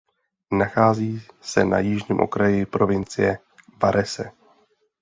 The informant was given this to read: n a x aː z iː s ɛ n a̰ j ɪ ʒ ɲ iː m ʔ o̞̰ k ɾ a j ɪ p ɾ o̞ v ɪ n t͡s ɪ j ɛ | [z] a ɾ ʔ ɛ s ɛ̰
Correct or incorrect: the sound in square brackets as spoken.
incorrect: v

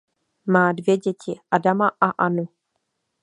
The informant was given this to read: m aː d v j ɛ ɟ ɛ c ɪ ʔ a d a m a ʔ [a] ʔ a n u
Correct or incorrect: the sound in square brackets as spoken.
correct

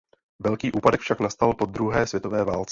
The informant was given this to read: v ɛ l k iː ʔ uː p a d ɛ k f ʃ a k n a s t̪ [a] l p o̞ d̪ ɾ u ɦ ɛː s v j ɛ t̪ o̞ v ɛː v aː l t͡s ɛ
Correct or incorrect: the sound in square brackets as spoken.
correct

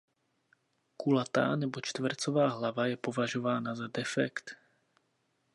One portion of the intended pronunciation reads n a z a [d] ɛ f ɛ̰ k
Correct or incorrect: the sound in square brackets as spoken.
correct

